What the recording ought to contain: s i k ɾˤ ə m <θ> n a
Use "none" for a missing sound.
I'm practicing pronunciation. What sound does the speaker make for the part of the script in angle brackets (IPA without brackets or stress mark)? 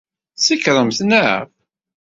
θ